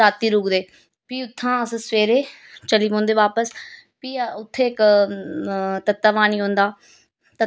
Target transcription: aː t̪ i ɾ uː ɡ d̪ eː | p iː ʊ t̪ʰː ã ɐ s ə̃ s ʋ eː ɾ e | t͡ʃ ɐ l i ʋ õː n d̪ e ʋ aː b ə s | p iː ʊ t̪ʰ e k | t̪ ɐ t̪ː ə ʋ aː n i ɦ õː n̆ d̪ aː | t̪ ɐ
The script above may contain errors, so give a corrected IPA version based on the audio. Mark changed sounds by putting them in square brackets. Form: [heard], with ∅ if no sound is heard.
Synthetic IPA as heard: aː t̪ i ɾ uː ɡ d̪ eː | p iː ʊ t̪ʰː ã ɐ s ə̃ s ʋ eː ɾ e | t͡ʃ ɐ l i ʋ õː n d̪ e ʋ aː [p] ə s | p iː ʊ t̪ʰ e k | t̪ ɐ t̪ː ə ʋ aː n i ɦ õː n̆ d̪ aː | t̪ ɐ

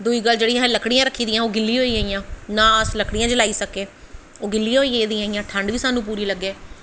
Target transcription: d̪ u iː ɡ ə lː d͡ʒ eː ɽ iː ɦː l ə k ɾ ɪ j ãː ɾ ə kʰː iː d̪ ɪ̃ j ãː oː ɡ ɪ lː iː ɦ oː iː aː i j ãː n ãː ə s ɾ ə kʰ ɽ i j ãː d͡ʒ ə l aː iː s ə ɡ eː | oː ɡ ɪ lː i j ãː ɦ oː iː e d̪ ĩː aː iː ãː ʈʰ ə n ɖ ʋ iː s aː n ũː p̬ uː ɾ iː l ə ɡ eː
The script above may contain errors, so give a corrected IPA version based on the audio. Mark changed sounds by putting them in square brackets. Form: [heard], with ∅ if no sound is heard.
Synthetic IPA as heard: d̪ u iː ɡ ə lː d͡ʒ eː ɽ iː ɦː l ə k [ɽ] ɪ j ãː ɾ ə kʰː iː d̪ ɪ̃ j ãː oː ɡ ɪ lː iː ɦ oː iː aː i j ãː n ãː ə s [l] ə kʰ ɽ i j ãː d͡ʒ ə l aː iː s ə [k] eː | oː ɡ ɪ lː i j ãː ɦ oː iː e d̪ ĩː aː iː ãː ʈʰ ə [ɳ] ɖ ʋ iː s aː n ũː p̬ uː ɾ iː l ə ɡ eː

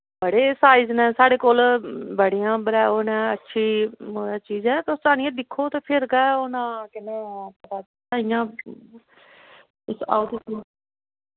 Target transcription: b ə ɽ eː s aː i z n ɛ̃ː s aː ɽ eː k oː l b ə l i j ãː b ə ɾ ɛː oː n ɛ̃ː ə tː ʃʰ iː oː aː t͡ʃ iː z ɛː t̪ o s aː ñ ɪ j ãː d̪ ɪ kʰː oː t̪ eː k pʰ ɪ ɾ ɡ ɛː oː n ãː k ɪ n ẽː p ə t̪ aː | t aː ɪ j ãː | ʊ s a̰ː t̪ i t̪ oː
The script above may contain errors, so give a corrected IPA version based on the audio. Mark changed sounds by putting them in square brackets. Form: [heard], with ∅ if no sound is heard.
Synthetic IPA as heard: b ə ɽ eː s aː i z n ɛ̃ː s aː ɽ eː k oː l b ə [ɽ] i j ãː b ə ɾ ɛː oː n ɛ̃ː ə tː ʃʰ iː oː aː t͡ʃ iː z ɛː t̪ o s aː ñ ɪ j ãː d̪ ɪ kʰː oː t̪ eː [∅] pʰ ɪ ɾ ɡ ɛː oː n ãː k ɪ n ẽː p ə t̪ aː | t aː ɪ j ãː | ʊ s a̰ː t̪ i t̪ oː

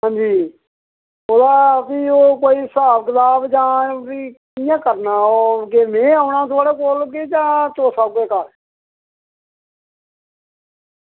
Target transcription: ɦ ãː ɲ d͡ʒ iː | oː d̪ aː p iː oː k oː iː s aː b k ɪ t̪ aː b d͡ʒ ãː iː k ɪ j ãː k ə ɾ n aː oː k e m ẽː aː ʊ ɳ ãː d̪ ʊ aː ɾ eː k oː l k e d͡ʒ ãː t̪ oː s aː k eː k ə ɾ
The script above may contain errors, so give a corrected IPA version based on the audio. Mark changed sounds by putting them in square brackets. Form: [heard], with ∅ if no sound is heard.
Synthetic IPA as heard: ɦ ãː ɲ d͡ʒ iː | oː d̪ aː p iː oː k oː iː s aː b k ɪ t̪ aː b d͡ʒ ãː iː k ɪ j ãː k ə ɾ n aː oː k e m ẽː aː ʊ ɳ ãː [t̪] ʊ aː [ɽ] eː k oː l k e d͡ʒ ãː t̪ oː s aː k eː k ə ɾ

